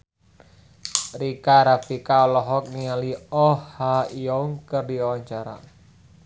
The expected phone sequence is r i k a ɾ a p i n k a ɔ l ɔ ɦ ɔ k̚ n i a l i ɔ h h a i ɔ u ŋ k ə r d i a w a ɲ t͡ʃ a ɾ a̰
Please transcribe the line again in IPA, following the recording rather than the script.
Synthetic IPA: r i k a ɾ a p i k a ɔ l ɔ ɦ ɔ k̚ n i a l i ɔ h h a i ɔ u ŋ k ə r d i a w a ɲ t͡ʃ a ɾ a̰